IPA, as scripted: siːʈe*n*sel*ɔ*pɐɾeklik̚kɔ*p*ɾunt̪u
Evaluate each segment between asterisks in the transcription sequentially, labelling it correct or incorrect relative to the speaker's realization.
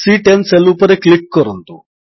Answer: correct, incorrect, incorrect

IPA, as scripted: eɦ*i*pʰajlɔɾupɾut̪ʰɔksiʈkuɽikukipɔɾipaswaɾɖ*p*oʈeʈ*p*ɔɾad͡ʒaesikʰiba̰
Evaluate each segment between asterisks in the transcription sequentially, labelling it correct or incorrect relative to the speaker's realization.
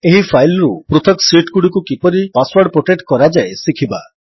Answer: correct, correct, incorrect

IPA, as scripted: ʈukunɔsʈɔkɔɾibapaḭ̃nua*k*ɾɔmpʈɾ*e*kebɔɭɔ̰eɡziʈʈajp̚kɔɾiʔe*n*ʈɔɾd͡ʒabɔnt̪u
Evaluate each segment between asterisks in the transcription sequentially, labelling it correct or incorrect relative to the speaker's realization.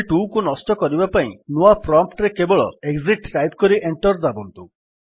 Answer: incorrect, correct, incorrect

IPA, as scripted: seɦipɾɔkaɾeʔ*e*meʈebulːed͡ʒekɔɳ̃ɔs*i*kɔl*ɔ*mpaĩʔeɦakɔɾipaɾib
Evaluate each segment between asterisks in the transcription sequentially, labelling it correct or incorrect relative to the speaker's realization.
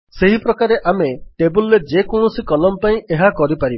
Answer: incorrect, correct, correct

